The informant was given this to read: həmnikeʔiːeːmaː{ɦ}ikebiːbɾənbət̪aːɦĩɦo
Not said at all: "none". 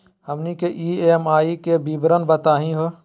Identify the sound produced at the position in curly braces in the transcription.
none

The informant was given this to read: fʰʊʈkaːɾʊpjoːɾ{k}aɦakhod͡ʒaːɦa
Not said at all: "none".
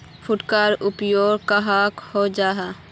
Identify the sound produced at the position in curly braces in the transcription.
k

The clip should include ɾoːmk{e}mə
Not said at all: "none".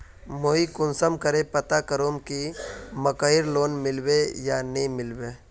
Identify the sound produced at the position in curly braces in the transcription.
i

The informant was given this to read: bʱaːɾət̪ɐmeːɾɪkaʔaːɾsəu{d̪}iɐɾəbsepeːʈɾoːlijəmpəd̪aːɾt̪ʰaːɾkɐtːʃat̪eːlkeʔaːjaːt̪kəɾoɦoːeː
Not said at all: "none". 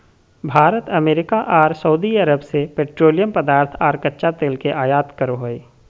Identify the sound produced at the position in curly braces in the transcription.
d̪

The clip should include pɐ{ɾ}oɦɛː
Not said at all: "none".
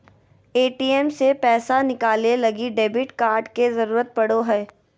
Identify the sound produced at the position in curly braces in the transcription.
ɽ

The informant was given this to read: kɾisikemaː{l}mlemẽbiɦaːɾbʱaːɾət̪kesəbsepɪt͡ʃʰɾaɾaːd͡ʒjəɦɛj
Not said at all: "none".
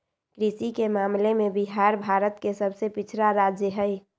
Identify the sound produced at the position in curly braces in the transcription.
none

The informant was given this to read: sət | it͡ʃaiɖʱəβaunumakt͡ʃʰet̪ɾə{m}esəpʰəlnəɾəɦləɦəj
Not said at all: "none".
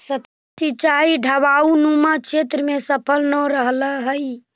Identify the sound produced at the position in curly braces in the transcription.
m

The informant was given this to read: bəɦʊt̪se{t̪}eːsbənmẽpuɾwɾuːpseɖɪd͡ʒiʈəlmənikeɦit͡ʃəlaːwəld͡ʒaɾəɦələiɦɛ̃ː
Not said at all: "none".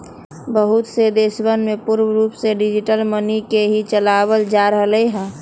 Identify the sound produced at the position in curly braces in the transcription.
d̪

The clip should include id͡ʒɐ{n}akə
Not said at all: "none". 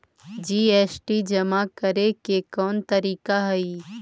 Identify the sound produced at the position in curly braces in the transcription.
m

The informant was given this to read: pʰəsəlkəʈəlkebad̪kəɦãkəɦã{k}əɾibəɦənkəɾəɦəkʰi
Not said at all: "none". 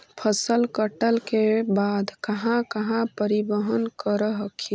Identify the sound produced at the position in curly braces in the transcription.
p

